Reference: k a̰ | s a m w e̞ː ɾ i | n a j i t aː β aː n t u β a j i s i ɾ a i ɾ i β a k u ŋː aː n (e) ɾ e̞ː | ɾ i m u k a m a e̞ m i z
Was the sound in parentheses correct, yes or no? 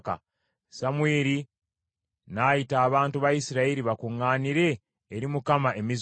no